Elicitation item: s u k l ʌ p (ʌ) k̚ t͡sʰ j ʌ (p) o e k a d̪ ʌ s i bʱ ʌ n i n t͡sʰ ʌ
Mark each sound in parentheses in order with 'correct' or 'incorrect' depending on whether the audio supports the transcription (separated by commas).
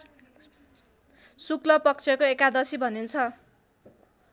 correct, incorrect